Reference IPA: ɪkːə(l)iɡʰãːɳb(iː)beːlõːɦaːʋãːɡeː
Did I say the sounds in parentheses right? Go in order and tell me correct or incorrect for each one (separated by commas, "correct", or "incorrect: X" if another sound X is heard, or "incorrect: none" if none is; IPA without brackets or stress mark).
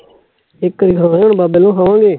incorrect: ɾ, incorrect: aː